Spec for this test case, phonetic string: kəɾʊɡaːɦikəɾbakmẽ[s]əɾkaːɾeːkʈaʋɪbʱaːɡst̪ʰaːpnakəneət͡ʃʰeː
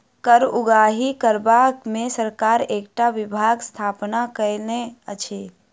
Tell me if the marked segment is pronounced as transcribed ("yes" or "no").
yes